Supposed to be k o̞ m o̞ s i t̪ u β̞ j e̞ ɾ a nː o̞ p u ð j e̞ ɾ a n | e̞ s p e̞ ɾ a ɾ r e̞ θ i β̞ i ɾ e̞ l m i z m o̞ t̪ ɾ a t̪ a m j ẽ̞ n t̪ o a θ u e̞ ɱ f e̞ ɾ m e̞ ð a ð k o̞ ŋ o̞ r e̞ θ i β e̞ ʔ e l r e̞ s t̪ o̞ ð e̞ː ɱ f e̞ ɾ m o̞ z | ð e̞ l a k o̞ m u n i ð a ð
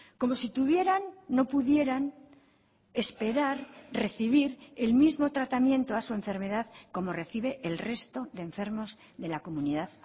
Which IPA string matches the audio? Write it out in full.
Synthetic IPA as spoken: k o̞ m o̞ s i t̪ u β̞ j e̞ ɾ a nː o̞ p u ð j e̞ ɾ a n | e̞ s p e̞ ɾ a ɾ r e̞ θ i β̞ i ɾ e̞ l m i z m o̞ t̪ ɾ a t̪ a m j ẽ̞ n t̪ o a s u e̞ ɱ f e̞ ɾ m e̞ ð a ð k o̞ m o̞ r e̞ θ i β e̞ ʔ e l r e̞ s t̪ o̞ ð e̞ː ɱ f e̞ ɾ m o̞ z | ð e̞ l a k o̞ m u n i ð a ð